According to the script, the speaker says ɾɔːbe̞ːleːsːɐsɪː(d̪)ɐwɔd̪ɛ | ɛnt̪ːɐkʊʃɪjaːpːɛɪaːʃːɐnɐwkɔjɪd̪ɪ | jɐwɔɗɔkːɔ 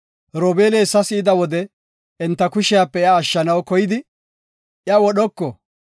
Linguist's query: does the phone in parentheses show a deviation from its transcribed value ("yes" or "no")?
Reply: no